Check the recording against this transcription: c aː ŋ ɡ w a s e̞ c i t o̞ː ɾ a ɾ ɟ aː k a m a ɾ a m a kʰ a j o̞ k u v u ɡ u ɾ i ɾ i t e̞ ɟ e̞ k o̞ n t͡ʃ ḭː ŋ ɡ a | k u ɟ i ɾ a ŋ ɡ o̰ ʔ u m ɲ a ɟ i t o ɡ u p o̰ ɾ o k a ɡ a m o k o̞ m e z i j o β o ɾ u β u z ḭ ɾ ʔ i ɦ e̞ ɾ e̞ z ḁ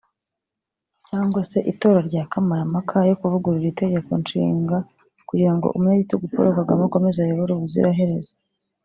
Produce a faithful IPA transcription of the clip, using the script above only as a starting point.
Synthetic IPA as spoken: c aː ŋ ɡ w a s e̞ ʔ i t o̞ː ɾ a ɾ ɟ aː k a m a ɾ a m a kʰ a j o̞ k u v u ɡ u ɾ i ɾ i t e̞ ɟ e̞ k o̞ n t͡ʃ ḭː ŋ ɡ a | k u ɟ i ɾ a ŋ ɡ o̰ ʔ u m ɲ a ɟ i t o ɡ u p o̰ ɾ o k a ɡ a m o k o̞ m e z a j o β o ɾ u β u z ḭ ɾ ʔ a ɦ e̞ ɾ e̞ z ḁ